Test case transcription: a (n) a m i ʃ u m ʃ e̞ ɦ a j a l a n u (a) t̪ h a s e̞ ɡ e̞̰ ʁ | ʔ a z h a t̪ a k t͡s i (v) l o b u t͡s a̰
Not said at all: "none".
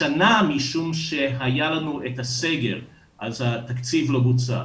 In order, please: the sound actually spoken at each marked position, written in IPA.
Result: n, e, v

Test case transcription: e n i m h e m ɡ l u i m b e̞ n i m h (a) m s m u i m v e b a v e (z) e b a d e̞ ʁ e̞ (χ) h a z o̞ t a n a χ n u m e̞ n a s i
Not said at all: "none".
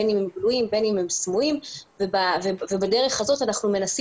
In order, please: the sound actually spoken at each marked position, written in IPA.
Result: e, v, χ

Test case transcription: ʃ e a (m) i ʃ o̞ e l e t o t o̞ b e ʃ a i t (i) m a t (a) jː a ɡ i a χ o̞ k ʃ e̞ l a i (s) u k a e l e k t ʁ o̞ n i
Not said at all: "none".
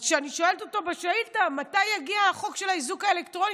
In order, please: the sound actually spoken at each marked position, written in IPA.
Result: n, a, a, z

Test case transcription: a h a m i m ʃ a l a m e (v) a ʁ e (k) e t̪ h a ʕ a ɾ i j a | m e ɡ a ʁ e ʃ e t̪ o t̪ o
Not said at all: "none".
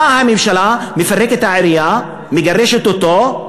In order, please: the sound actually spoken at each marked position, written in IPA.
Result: f, k

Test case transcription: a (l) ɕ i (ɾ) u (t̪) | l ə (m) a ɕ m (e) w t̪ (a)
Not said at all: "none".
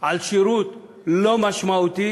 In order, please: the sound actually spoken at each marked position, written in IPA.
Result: l, ɾ, t̪, m, a, i

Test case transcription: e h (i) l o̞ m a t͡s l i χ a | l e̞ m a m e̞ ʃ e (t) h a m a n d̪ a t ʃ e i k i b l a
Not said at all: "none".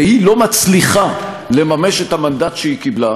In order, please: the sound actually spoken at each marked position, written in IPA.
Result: i, t

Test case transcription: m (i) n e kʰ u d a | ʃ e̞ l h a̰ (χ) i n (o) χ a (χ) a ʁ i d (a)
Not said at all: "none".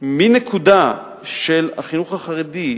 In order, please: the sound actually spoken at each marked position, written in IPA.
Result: i, χ, u, χ, i

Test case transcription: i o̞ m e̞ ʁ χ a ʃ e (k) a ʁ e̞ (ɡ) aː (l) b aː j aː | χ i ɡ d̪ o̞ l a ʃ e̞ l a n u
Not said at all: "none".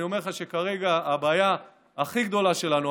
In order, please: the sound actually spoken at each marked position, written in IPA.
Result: k, ɡ, none

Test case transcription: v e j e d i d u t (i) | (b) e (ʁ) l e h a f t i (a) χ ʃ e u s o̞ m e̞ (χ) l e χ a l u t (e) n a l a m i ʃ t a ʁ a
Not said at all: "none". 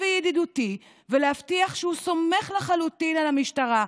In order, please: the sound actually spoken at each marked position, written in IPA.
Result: i, v, none, a, χ, i

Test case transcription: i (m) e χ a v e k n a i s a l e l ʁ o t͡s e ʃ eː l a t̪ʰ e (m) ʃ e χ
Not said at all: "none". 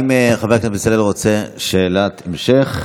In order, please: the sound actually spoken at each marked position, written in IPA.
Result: m, m

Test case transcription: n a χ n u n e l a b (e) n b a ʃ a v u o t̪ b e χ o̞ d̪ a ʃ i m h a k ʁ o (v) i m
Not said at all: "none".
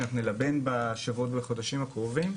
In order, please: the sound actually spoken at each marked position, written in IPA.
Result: e, v

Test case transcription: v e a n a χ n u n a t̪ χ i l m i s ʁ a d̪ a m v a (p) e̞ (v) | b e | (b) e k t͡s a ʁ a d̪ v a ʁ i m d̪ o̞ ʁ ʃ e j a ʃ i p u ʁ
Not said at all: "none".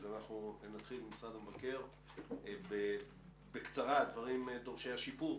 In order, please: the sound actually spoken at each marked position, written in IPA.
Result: k, ʁ, b

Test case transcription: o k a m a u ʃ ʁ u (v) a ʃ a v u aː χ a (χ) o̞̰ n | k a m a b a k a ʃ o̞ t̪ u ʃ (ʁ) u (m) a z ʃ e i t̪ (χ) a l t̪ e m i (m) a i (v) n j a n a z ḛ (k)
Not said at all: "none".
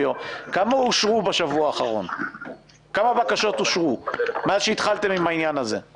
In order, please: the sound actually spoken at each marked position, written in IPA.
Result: b, ʁ, ʁ, m, χ, m, none, none

